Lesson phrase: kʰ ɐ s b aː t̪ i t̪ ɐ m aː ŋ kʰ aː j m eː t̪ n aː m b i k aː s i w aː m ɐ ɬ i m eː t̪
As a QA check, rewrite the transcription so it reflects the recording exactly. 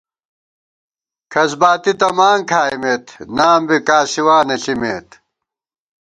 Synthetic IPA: kʰ ɐ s b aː t̪ i t̪ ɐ m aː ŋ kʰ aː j m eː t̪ n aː m b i k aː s i w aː n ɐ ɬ i m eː t̪